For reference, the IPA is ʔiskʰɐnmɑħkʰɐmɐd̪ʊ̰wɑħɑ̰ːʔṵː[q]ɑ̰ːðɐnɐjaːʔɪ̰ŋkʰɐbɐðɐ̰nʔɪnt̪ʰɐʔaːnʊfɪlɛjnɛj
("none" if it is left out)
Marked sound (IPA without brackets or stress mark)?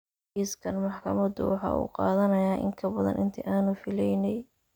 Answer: q